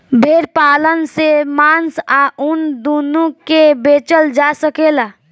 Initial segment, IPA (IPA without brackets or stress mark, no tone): bʱ